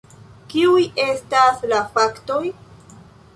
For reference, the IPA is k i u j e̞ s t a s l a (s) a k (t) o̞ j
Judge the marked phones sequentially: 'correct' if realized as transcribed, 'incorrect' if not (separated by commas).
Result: incorrect, correct